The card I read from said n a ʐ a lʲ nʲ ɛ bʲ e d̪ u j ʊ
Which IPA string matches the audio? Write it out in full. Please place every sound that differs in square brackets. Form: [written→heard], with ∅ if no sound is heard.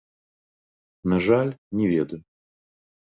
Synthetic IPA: n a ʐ a lʲ nʲ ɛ [bʲ→vʲ] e d̪ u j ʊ